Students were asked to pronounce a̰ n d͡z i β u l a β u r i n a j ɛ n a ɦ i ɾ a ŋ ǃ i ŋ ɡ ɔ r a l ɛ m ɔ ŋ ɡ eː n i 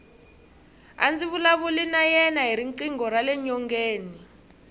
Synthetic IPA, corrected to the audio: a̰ n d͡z i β u l a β u l i n a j ɛ n a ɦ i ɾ i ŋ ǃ i ŋ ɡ ɔ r a l ɛ ɲ ɔ ŋ ɡ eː n i